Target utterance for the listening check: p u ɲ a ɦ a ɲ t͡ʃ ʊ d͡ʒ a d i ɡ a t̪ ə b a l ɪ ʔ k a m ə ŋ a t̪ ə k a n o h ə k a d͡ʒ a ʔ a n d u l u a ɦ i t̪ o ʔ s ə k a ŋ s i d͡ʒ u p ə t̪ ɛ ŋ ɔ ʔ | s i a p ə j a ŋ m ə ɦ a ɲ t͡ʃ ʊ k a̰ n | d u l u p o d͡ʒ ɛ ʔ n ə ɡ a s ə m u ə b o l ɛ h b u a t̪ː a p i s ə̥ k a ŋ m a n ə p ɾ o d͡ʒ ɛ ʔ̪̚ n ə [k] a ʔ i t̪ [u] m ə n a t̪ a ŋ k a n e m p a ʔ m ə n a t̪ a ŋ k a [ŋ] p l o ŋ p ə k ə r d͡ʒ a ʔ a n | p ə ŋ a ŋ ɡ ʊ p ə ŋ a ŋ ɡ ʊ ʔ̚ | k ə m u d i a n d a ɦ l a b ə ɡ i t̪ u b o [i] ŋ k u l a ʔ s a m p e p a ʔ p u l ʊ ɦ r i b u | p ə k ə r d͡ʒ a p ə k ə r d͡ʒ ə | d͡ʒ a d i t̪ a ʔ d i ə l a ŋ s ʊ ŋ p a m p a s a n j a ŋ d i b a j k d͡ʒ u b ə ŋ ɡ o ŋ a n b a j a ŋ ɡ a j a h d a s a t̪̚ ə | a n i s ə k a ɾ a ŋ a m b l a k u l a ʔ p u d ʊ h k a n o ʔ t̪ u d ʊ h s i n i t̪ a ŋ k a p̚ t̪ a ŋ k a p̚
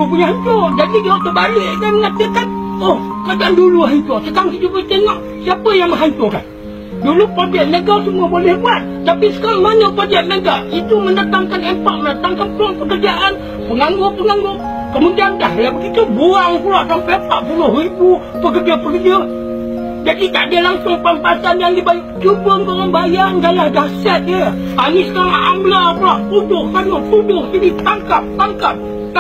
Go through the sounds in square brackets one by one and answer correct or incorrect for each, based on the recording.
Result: incorrect: ɡ, correct, incorrect: n, incorrect: a

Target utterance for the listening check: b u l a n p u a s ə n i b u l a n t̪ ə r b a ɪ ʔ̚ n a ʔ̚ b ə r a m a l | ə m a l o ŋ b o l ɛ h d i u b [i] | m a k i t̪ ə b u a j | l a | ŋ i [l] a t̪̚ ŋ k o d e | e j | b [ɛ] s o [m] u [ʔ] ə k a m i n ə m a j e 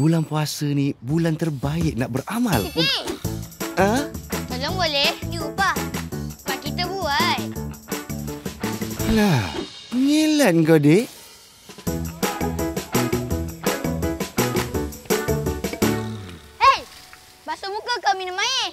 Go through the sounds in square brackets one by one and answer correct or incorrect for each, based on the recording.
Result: incorrect: a, correct, incorrect: a, correct, incorrect: k

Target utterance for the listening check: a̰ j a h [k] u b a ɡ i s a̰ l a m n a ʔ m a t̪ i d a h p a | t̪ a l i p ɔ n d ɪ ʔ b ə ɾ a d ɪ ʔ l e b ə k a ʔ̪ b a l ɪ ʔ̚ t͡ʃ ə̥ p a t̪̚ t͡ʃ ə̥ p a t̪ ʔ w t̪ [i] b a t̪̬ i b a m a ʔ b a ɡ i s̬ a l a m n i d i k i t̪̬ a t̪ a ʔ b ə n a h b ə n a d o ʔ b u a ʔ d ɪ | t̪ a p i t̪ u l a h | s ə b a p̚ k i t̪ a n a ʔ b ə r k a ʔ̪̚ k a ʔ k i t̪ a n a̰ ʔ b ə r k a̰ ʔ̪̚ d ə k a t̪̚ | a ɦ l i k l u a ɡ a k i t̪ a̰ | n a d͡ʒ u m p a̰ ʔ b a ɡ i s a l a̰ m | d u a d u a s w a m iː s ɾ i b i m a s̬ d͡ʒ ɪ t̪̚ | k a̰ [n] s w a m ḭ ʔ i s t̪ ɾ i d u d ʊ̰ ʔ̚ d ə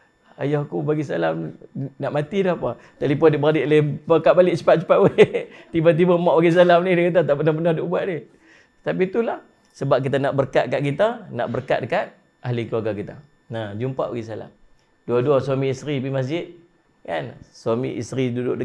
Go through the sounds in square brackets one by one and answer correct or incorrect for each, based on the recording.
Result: correct, correct, correct

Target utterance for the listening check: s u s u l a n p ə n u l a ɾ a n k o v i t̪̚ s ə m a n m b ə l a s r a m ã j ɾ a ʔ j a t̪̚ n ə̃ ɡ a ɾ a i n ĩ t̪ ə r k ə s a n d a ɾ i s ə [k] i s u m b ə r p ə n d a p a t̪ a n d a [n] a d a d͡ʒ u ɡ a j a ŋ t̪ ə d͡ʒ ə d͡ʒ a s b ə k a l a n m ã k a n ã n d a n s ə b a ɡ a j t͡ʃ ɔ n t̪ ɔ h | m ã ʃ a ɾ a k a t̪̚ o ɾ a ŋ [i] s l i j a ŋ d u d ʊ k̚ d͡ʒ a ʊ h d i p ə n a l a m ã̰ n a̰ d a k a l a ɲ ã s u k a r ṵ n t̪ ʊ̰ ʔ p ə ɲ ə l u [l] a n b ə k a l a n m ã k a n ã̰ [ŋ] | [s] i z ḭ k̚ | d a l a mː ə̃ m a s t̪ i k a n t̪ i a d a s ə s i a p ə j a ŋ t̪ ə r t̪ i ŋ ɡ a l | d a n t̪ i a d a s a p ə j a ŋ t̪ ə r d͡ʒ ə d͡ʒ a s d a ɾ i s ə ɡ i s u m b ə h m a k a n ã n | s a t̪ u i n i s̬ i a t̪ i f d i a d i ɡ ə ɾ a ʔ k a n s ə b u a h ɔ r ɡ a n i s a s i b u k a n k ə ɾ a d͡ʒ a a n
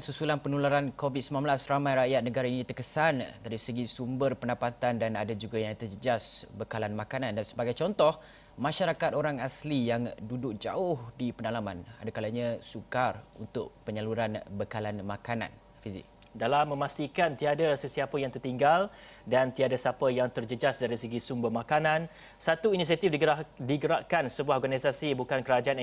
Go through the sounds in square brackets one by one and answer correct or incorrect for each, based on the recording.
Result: incorrect: ɡ, correct, incorrect: a, incorrect: ɾ, incorrect: n, incorrect: f

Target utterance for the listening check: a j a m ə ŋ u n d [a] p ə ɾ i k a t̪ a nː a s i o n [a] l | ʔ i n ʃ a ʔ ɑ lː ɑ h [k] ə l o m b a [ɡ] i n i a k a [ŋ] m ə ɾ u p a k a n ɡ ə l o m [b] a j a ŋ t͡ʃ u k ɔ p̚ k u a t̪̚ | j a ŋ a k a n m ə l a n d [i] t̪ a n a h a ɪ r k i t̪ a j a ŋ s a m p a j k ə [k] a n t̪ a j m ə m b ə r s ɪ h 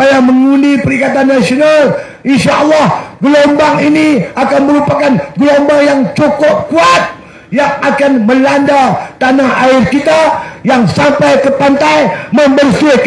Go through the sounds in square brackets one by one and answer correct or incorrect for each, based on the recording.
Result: incorrect: i, correct, incorrect: ɡ, incorrect: ŋ, incorrect: n, correct, incorrect: a, incorrect: p

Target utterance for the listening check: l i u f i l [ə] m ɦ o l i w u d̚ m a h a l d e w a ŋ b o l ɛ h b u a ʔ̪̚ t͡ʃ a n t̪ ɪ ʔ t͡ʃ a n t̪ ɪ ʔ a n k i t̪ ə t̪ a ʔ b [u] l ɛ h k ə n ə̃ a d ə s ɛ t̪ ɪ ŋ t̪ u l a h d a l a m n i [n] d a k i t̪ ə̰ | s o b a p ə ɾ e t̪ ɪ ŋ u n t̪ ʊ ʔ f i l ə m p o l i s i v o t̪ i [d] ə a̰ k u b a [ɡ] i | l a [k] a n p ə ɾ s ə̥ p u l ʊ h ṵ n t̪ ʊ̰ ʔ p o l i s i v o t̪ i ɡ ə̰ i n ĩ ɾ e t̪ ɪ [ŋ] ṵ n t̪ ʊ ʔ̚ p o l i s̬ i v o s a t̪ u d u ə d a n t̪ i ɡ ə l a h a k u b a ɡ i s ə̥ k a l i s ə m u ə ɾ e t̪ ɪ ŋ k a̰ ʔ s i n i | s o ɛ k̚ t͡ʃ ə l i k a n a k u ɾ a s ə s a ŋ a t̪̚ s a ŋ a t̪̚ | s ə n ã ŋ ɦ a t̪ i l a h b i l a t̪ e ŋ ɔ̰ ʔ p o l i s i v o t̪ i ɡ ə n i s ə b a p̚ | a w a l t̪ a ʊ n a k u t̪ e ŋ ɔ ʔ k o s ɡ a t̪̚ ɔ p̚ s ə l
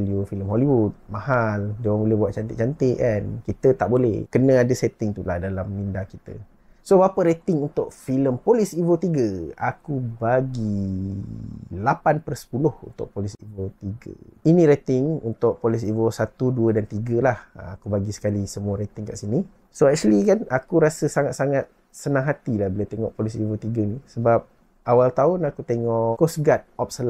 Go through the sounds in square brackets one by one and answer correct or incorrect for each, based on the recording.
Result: correct, incorrect: o, correct, incorrect: ɡ, correct, incorrect: p, correct

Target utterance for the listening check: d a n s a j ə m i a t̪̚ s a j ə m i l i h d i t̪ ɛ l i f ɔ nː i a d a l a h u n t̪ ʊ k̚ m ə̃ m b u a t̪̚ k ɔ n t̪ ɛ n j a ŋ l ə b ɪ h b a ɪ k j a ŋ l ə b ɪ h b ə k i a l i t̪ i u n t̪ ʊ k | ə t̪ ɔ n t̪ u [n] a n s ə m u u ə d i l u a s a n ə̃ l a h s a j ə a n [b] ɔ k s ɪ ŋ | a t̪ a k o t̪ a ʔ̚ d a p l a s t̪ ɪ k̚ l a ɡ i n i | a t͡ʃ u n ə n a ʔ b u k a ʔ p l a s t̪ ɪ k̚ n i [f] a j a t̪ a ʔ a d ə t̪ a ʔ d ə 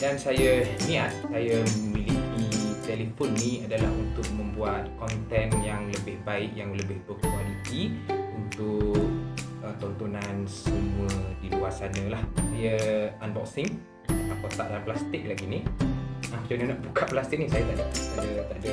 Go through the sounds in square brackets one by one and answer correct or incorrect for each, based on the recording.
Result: correct, correct, incorrect: s

